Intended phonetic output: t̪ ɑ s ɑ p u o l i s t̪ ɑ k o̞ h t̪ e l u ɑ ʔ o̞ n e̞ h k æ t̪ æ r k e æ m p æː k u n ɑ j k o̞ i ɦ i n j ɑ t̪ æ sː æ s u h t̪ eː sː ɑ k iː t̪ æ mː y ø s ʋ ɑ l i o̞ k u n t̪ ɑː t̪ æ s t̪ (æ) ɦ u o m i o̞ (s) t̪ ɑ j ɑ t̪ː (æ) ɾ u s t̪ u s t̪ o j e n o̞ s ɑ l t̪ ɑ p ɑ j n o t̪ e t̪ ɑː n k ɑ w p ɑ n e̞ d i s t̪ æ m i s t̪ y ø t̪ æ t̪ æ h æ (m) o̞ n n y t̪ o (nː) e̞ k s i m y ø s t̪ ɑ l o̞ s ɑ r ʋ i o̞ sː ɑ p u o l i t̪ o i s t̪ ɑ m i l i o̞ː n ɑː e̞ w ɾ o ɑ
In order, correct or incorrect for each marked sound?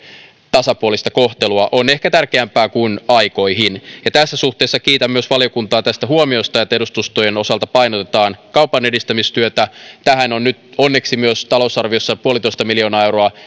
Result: correct, correct, incorrect: e, incorrect: n, correct

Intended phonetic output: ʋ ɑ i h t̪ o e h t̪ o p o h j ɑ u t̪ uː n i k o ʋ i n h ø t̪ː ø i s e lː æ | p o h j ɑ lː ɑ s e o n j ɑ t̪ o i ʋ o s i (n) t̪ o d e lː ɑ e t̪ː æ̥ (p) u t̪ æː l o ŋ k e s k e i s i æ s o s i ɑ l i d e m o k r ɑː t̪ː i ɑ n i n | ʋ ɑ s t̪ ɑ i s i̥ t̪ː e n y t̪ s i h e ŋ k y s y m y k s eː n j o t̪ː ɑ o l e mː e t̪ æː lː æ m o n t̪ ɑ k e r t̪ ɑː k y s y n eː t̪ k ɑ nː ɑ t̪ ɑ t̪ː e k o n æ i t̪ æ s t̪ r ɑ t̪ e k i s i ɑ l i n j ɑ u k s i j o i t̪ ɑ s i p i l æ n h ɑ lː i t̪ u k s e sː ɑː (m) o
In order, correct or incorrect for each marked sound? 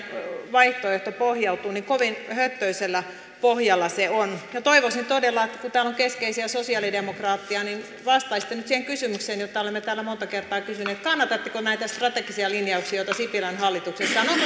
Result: correct, incorrect: k, incorrect: n

